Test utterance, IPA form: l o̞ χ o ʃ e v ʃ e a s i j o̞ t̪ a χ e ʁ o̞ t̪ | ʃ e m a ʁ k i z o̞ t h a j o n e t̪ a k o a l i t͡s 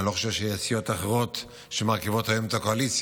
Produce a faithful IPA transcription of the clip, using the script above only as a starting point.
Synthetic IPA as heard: l o̞ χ o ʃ e v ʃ e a s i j o̞ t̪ a χ e ʁ o̞ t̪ | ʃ e m a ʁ k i v o̞ t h a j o m e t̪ a k o a l i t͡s